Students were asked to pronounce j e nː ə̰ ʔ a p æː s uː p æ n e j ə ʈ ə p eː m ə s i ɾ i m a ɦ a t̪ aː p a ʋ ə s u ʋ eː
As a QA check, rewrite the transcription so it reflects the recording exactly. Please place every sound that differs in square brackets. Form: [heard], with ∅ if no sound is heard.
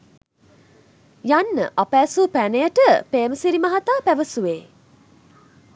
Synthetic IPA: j [a] nː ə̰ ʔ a p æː s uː p æ n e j ə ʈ ə p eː m ə s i ɾ i m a ɦ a t̪ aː p [æ] ʋ ə s u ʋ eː